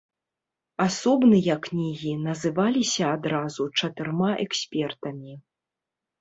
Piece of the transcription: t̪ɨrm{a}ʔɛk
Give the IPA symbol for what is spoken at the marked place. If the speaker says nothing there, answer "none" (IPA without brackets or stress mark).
a